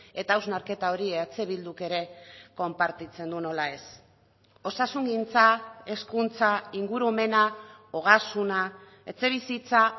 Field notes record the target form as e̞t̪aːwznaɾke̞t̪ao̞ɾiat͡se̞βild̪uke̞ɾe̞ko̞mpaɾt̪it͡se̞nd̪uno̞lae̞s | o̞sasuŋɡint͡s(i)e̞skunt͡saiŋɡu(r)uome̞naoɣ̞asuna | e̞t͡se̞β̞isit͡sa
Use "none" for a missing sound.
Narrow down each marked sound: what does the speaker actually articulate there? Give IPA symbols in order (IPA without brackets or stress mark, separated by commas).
a, ɾ